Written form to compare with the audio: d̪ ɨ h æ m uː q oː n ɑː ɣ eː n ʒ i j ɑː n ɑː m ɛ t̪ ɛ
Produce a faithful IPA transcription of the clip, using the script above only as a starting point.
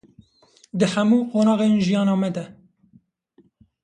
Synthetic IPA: d̪ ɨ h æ m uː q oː n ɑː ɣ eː n ʒ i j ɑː n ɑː m ɛ d̪ ɛ